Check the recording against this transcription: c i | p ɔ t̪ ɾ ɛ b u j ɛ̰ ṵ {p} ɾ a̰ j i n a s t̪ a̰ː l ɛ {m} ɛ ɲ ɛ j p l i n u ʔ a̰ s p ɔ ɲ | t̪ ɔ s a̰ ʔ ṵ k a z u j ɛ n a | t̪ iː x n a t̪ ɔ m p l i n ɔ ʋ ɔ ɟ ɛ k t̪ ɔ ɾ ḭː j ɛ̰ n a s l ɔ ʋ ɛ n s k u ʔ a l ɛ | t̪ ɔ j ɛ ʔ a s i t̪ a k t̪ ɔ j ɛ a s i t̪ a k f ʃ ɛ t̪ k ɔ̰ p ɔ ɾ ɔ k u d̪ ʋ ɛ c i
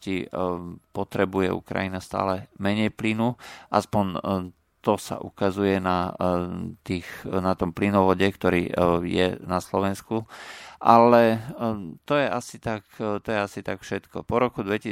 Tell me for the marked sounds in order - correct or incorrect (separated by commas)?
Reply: incorrect, correct